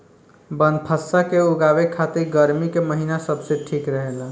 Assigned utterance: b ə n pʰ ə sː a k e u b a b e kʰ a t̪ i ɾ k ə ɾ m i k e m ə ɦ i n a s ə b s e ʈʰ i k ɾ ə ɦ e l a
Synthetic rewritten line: b ə n pʰ ə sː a k e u ɡ a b e kʰ a t̪ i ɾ ɡ ə ɾ m i k e m ə ɦ i n a s ə b s e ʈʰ i k ɾ ə ɦ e l a